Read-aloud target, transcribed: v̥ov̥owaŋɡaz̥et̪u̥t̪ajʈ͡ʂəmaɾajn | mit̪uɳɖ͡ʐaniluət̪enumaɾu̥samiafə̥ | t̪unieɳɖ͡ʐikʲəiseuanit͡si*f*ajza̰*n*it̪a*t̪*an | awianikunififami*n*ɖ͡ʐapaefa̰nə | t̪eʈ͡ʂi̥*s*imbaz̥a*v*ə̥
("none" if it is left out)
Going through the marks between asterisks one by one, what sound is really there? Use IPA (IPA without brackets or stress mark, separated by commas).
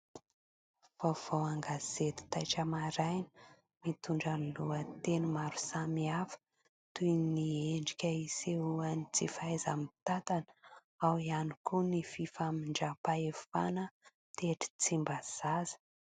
f, m, t̪, ɳ, t͡s, z